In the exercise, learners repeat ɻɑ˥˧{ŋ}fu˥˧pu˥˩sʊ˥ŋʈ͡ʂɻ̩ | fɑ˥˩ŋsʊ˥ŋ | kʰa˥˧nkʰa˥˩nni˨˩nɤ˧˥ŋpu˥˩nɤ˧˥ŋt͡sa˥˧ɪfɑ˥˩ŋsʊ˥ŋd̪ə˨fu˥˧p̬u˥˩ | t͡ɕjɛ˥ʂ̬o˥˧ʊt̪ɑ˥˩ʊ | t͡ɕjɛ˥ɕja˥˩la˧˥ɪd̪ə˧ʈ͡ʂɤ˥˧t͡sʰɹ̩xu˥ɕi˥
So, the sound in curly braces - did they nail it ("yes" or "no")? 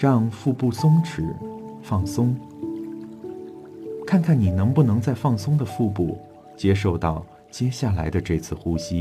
yes